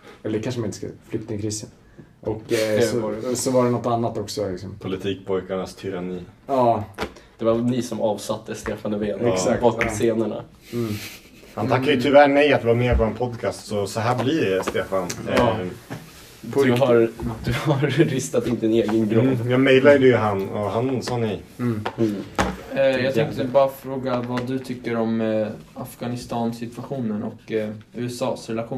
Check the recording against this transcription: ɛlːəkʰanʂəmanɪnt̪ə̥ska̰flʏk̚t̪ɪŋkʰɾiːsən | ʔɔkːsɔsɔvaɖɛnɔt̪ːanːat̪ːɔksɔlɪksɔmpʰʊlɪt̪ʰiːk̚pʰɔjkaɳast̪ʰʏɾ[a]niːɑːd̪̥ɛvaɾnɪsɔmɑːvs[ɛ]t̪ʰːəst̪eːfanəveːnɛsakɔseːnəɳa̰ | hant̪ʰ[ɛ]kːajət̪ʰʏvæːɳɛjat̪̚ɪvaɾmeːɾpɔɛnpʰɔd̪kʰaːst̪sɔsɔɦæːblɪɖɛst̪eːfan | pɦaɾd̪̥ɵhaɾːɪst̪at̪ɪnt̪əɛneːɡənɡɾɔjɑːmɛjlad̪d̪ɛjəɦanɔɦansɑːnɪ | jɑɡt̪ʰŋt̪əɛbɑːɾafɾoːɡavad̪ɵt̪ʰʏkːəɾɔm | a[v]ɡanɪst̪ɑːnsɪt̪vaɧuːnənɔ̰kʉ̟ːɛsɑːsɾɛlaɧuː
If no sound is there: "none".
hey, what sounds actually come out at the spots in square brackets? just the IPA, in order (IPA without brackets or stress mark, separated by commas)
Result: a, a, a, f